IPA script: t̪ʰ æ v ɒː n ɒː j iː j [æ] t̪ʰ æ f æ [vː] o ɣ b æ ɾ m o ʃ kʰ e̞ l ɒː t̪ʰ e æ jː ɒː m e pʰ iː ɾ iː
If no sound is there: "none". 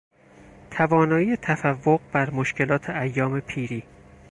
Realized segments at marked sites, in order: e, vː

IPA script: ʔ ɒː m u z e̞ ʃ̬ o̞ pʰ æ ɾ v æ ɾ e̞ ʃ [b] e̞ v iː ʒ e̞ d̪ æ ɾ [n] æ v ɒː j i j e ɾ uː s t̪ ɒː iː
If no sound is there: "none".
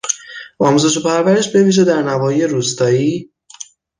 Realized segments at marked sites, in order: b, n

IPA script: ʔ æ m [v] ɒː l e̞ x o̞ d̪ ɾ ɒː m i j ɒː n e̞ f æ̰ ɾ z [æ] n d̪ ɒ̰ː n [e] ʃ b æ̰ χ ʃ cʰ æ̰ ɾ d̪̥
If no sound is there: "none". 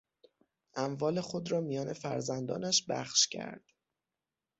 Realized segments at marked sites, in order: v, æ, æ

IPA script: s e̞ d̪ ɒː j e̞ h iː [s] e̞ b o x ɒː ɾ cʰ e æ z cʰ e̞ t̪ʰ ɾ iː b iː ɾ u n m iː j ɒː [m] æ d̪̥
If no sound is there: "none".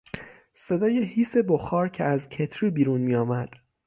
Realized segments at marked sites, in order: s, m

